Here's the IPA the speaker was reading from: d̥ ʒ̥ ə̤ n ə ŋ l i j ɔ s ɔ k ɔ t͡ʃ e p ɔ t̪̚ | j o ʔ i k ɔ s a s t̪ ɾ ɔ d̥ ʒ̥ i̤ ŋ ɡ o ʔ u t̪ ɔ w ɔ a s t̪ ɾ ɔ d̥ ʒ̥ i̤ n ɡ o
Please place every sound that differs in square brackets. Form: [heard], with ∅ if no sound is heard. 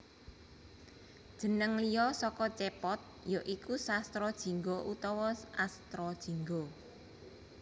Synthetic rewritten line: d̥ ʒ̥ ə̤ n ə ŋ l i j ɔ s ɔ k ɔ t͡ʃ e p ɔ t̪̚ | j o ʔ i k [u] s a s t̪ ɾ ɔ d̥ ʒ̥ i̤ ŋ ɡ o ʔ u t̪ ɔ w ɔ a s t̪ ɾ ɔ d̥ ʒ̥ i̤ [ŋ] ɡ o